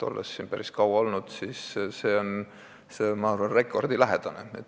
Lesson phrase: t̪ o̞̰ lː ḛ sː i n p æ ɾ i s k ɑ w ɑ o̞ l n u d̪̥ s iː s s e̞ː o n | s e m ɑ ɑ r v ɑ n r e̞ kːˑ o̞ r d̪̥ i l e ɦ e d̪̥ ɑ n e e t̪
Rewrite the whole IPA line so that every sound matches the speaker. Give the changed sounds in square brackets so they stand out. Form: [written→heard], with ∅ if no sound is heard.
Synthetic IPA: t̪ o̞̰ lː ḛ sː i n p æ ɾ i s k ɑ w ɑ o̞ l n u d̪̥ s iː s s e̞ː o n | s e m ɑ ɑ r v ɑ n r e̞ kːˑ o̞ r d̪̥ i l [e→æ] ɦ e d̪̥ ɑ n e e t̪